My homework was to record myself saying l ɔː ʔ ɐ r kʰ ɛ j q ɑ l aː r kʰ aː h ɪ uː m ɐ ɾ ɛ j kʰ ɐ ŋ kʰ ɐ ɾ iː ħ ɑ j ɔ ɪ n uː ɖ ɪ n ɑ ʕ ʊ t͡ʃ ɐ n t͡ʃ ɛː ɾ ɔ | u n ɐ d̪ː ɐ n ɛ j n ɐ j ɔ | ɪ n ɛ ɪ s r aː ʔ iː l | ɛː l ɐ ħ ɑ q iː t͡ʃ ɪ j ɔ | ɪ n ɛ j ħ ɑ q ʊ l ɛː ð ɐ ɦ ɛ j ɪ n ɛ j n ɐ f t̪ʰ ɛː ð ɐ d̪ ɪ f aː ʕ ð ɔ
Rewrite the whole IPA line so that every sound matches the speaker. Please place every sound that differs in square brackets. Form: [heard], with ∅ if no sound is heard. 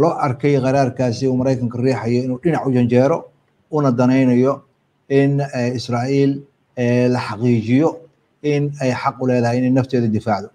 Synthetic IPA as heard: l ɔː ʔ ɐ r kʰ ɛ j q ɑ [ɾ] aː r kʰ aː [s] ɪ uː m ɐ ɾ ɛ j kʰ ɐ ŋ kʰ ɐ [r] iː ħ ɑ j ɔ ɪ n uː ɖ ɪ n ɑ ʕ ʊ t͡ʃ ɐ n t͡ʃ ɛː ɾ ɔ | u n ɐ [d̪] ɐ n ɛ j n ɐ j ɔ | ɪ n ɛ ɪ s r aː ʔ iː l | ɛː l ɐ ħ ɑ q iː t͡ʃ ɪ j ɔ | ɪ n ɛ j ħ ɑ q ʊ l ɛː ð ɐ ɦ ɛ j ɪ n ɛ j n ɐ f t̪ʰ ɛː ð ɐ d̪ ɪ f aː ʕ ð ɔ